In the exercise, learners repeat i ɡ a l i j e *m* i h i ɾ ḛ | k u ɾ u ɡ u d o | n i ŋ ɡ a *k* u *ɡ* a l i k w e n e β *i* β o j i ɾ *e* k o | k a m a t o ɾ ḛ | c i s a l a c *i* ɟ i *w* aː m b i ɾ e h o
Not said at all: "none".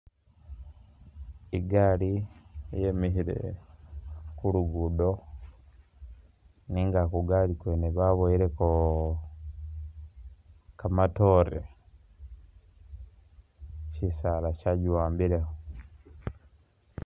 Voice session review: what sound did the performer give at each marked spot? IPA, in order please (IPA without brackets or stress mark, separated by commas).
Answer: m, k, ɡ, a, e, a, w